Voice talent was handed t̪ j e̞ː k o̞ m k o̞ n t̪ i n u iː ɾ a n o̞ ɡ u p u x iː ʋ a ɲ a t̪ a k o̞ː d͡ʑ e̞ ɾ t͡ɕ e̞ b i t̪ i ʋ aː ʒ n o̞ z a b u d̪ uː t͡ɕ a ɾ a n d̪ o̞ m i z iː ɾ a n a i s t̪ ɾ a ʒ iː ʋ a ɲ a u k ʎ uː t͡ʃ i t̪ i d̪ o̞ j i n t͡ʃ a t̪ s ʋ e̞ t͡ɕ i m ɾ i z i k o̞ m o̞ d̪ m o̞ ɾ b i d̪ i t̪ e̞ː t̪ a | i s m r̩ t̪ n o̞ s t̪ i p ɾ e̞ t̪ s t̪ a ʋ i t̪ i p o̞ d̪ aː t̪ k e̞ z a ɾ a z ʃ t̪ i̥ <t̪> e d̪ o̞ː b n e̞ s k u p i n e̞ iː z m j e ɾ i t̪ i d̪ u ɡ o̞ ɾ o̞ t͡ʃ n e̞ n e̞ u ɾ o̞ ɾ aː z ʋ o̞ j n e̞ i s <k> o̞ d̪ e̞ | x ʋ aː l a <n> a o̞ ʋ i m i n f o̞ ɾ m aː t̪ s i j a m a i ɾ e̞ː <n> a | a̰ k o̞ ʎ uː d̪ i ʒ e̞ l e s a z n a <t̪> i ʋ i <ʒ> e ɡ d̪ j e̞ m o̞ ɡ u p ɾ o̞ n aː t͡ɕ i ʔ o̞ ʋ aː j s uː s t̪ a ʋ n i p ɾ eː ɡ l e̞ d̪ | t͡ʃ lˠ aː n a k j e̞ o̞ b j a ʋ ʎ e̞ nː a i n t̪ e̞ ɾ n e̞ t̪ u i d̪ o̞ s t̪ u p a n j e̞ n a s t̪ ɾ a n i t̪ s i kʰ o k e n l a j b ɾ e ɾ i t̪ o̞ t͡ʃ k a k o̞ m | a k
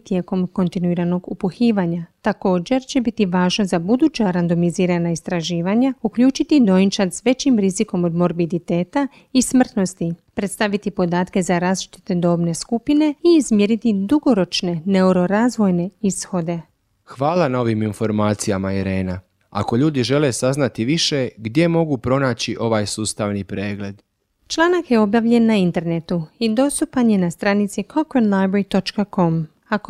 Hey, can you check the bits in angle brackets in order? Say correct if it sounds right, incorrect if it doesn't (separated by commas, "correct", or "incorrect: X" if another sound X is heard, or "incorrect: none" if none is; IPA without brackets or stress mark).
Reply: correct, incorrect: x, correct, correct, correct, incorrect: ʃ